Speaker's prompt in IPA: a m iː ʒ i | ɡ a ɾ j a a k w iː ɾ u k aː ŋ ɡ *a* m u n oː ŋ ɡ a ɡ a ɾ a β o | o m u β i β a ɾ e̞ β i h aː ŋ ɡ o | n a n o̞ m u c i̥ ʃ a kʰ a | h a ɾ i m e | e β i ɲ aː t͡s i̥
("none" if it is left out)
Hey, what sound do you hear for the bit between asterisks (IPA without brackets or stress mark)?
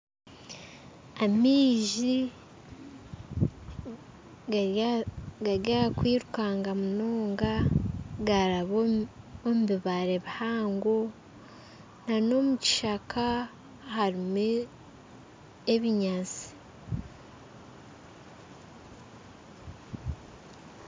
a